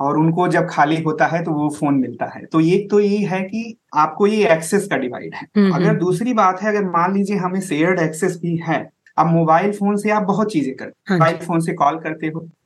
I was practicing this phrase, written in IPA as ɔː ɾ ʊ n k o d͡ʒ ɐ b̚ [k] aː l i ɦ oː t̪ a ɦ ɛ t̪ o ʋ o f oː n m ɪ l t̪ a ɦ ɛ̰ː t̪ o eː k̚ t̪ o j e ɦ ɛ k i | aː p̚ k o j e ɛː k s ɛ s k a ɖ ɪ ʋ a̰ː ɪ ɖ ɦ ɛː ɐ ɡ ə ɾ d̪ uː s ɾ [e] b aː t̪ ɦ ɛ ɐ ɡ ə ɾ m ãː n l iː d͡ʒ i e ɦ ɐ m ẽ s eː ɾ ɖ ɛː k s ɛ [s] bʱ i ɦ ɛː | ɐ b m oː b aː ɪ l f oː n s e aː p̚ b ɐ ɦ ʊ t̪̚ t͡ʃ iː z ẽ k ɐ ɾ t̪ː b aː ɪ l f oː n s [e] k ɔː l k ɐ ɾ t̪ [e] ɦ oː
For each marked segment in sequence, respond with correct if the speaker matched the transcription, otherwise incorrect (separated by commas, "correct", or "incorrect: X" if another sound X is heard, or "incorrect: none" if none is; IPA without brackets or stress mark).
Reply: incorrect: kʰ, incorrect: i, correct, correct, correct